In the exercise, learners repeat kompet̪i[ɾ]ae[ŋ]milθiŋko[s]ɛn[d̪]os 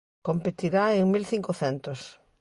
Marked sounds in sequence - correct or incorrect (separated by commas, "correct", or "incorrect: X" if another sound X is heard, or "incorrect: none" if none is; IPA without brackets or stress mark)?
correct, correct, incorrect: θ, incorrect: t̪